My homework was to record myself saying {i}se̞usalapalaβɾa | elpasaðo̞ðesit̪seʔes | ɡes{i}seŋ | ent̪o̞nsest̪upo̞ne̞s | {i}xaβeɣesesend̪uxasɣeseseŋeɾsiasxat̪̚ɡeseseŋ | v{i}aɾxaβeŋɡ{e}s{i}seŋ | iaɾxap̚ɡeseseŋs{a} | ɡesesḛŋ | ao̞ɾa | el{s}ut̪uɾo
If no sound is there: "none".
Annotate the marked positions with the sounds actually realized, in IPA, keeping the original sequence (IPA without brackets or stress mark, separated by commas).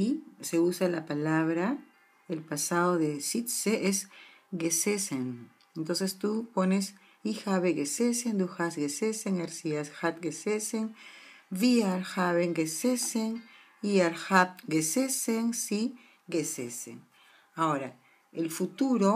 i, e, i, i, e, e, i, f